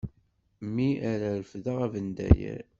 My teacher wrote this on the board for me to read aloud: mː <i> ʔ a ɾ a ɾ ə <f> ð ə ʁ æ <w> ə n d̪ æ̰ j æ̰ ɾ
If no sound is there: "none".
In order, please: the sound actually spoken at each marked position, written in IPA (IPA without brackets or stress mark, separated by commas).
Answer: i, f, v